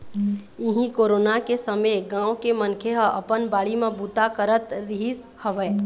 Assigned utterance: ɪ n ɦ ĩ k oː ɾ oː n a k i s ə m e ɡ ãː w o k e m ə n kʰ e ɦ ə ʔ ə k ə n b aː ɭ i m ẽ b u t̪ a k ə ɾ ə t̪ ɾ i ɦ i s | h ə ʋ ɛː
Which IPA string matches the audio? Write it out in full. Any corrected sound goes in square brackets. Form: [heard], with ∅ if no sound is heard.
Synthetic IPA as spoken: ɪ [∅] ɦ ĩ k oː ɾ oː n a k [e] s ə m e ɡ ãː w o k e m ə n kʰ e ɦ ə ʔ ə [p] ə n b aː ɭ i m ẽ b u t̪ a k ə ɾ ə t̪ ɾ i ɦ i s | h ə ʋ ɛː

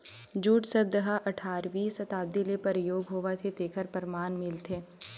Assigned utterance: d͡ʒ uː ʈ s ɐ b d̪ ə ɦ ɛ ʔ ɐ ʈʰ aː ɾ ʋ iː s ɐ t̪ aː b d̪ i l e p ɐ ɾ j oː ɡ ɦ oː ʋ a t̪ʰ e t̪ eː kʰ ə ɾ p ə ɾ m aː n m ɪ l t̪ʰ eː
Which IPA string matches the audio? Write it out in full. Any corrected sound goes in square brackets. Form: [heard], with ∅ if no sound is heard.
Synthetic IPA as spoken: d͡ʒ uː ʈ s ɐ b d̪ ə ɦ [a] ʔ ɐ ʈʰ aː ɾ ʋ iː s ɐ t̪ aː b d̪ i l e p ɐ ɾ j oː ɡ ɦ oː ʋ a t̪ʰ e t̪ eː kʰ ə ɾ p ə ɾ m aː n m ɪ l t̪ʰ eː

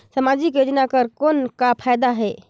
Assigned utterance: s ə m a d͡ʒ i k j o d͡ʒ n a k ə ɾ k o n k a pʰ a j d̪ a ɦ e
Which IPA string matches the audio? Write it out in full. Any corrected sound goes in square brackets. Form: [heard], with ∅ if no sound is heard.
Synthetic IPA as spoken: s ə m a d͡ʒ i k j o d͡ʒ n a k ə ɾ k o n k a pʰ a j d̪ a ɦ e

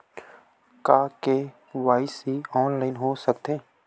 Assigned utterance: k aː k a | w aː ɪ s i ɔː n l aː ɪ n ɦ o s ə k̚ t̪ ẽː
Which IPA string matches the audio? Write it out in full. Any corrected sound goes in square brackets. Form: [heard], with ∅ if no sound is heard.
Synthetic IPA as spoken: k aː k [e] | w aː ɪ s i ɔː n l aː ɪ n ɦ o s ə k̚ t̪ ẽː

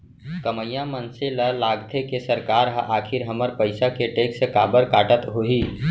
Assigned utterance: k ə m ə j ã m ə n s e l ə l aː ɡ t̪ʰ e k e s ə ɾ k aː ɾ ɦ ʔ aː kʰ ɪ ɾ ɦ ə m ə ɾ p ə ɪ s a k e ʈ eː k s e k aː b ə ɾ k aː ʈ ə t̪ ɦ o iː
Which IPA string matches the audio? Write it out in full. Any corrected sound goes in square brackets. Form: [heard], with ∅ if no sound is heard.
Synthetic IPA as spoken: k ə m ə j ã m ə n s e l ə l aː ɡ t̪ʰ e k e s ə ɾ k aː ɾ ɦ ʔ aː kʰ ɪ ɾ ɦ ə m ə ɾ p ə ɪ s a k e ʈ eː k s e k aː b ə ɾ k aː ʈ ə t̪ ɦ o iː

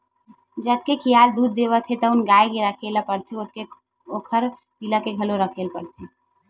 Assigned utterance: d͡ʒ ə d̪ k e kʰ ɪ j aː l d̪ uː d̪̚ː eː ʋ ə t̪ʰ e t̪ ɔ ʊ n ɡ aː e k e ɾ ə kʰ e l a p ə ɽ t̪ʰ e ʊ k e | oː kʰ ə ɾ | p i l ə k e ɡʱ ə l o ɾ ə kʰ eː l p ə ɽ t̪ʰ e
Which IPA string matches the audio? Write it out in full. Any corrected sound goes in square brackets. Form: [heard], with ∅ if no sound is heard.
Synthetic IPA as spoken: d͡ʒ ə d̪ k e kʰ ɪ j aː l d̪ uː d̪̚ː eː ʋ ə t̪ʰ e t̪ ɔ ʊ n ɡ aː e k e ɾ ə kʰ e l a p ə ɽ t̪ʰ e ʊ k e | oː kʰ ə ɾ | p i l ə k e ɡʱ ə l o ɾ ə kʰ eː l p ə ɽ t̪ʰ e

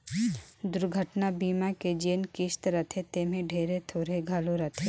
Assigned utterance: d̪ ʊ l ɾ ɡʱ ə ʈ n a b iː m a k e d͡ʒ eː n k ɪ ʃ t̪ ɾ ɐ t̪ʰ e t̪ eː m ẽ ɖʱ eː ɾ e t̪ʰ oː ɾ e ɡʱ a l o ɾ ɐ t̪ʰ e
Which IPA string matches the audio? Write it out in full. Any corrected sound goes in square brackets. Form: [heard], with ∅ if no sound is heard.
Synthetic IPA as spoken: d̪ ʊ [∅] ɾ ɡʱ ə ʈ n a b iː m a k e d͡ʒ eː n k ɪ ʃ t̪ ɾ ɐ t̪ʰ e t̪ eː m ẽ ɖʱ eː ɾ e t̪ʰ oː ɾ e ɡʱ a l o ɾ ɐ t̪ʰ e

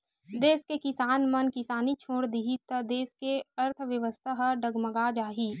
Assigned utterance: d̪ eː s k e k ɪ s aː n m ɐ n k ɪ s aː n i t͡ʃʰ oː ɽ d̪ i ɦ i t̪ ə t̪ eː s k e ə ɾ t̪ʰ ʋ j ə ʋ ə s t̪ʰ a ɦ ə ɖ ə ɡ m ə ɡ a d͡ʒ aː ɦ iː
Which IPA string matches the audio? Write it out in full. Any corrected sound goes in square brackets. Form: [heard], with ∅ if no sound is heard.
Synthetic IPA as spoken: d̪ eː s k e k ɪ s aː n m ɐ n k ɪ s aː n i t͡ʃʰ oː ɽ d̪ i ɦ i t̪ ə [d̪] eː s k e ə ɾ t̪ʰ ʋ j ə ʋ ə s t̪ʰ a ɦ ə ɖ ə ɡ m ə ɡ a d͡ʒ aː ɦ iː

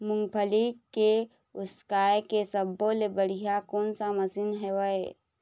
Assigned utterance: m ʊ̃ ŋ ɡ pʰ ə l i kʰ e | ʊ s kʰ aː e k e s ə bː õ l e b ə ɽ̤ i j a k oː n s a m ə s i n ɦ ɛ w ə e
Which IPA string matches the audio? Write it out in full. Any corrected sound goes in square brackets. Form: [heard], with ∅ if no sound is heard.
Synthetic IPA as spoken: m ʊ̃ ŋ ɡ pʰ ə l i [k] e | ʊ s [k] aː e k e s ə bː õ l e b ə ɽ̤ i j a k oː n s a m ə s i n ɦ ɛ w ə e

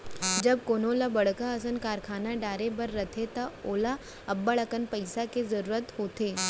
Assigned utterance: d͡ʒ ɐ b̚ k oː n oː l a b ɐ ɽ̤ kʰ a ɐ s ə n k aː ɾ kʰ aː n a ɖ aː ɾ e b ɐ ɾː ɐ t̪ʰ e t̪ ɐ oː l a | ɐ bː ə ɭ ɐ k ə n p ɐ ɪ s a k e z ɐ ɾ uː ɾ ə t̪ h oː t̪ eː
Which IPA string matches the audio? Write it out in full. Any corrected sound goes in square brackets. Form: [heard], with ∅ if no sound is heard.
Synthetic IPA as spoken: d͡ʒ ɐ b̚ k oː n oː l a b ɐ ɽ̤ [k] a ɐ s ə n k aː ɾ kʰ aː n a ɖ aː ɾ e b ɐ ɾː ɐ t̪ʰ e t̪ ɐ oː l a | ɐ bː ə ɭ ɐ k ə n p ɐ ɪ s a k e z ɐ ɾ uː ɾ ə t̪ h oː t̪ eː

